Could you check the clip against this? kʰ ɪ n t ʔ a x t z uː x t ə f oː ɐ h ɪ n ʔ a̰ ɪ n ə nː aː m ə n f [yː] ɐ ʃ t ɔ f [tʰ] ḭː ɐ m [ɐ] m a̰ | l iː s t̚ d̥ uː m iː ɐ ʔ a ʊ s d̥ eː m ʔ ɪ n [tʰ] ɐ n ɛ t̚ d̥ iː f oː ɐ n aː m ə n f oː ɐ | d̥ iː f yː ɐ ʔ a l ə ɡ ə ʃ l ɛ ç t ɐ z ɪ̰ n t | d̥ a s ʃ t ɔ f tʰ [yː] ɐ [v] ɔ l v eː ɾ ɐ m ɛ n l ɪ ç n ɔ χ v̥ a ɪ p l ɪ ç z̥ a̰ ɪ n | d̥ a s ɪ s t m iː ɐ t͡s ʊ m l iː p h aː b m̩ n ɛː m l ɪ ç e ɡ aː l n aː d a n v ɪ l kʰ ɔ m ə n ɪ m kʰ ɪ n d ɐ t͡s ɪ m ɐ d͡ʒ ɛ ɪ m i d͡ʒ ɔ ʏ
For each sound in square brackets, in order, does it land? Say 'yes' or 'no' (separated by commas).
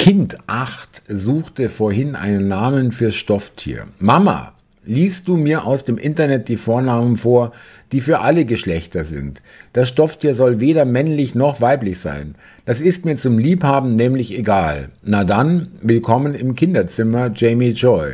yes, yes, no, no, no, no